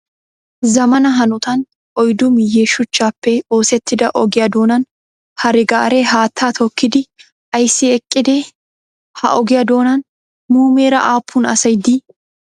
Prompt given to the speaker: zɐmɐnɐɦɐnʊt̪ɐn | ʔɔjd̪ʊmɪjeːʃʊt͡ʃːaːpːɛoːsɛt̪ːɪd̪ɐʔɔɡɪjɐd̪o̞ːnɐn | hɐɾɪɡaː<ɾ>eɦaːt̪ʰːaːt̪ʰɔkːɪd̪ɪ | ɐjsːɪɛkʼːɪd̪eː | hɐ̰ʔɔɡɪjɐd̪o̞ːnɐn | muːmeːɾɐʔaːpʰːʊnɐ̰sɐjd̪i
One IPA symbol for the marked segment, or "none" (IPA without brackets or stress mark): ɾ